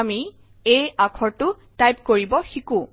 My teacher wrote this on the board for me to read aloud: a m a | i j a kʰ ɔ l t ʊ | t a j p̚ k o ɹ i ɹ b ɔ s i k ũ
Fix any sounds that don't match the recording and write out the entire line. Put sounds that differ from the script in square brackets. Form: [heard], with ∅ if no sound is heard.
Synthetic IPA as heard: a m [i] | [e] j a kʰ ɔ [ɹ] t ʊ | t a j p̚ k o ɹ i [∅] b ɔ [x] i k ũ